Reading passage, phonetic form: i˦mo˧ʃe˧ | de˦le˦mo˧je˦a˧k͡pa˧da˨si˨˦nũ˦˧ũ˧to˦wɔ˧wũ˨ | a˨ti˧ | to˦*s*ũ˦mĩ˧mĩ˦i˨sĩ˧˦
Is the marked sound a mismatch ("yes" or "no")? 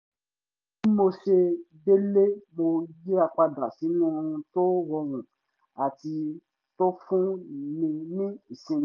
yes